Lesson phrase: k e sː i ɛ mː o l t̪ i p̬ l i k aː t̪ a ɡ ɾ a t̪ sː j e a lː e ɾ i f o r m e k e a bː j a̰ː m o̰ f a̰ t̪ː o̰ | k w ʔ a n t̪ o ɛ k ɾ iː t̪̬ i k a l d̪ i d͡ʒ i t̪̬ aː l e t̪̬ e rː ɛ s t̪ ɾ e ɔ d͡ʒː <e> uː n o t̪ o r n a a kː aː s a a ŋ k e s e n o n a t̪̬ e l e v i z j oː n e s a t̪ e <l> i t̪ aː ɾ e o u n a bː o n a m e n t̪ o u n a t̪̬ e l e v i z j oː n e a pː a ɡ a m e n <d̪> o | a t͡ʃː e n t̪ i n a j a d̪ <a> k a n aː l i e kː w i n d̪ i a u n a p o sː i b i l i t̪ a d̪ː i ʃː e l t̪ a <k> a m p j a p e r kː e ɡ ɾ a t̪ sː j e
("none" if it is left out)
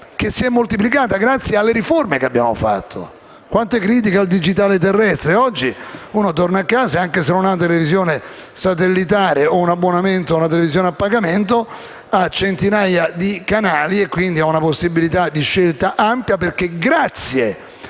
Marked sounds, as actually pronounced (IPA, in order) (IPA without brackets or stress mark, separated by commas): i, lː, t̪, i, ʔ